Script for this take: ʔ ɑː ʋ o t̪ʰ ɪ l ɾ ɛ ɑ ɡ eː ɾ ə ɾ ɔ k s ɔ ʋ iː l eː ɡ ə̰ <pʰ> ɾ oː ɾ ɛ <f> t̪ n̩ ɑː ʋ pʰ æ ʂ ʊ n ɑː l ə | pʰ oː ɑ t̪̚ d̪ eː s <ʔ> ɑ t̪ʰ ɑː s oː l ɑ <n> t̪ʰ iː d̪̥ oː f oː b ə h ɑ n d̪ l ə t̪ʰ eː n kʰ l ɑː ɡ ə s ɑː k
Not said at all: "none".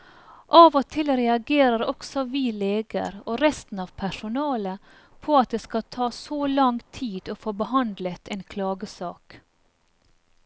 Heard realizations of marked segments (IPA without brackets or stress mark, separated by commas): none, s, k, ŋ